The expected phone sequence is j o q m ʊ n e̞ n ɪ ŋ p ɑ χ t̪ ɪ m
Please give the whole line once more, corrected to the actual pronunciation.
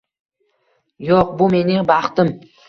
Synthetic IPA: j o q b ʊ m e̞ n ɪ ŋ b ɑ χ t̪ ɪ m